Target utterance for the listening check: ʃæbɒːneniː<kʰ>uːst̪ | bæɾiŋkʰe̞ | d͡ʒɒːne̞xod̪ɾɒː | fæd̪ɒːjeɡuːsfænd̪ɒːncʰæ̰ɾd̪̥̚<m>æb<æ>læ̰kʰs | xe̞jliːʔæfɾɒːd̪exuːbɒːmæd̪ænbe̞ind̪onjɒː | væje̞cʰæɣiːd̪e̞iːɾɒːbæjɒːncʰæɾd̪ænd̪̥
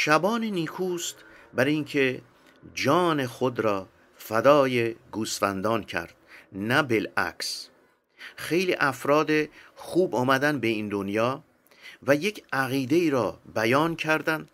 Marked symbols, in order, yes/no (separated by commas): yes, no, no